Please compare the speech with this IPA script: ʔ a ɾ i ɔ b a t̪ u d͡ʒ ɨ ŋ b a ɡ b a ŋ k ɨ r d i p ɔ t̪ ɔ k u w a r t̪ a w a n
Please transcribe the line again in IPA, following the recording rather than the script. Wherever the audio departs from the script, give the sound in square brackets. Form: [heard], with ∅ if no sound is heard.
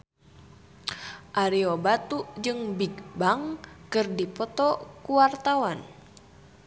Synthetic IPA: ʔ a ɾ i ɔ b a t̪ u d͡ʒ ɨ ŋ b [i] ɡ b a ŋ k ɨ r d i p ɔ t̪ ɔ k u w a r t̪ a w a n